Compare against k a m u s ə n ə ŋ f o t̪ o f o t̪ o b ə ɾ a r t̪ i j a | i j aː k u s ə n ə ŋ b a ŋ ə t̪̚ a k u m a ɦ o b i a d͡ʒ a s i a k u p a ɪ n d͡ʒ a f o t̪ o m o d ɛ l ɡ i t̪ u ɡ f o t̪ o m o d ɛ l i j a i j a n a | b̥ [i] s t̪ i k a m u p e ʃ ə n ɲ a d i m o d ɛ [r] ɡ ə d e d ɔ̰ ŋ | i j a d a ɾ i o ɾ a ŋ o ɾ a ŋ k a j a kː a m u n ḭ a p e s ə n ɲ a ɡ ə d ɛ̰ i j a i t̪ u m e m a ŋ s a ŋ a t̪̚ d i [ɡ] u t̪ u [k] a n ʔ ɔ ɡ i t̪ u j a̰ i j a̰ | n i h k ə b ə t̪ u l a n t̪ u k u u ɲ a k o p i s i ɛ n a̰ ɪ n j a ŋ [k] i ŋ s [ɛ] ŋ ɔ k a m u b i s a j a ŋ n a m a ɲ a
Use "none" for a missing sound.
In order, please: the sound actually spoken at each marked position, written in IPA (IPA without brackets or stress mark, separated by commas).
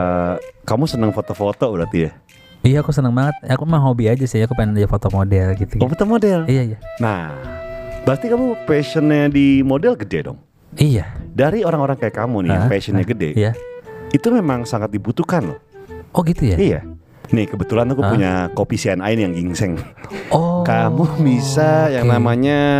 a, l, b, k, ɡ, ɛ